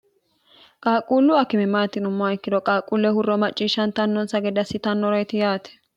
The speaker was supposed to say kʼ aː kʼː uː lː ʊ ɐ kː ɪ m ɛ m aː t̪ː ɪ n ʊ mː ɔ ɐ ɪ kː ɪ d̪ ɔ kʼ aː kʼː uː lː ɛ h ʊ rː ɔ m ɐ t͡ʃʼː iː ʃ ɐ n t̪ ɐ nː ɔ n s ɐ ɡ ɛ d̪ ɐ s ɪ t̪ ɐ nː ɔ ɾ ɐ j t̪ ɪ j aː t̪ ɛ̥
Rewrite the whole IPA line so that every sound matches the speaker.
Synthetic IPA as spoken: kʼ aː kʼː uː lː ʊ ɐ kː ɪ m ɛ m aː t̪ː ɪ n ʊ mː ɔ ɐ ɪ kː ɪ d̪ ɔ kʼ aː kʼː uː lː ɛ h ʊ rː ɔ m ɐ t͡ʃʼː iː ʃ ɐ n t̪ ɐ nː ɔ n s ɐ ɡ ɛ d̪ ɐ s ɪ t̪ ɐ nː ɔ ɾ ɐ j t̪ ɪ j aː t̪ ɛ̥